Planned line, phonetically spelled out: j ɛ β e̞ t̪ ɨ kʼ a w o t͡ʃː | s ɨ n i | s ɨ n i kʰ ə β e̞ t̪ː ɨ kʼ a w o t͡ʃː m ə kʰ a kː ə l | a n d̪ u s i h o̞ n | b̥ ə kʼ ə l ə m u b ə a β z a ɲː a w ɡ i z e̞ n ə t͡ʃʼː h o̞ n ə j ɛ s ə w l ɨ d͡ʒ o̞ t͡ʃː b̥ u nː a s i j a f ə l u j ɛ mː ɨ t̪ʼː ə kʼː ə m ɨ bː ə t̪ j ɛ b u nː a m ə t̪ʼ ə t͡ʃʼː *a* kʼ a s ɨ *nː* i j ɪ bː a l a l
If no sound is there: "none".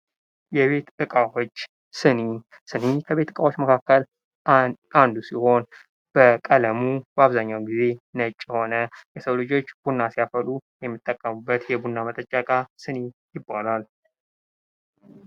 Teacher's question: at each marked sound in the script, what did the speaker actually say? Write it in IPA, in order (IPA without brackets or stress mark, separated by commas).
a, n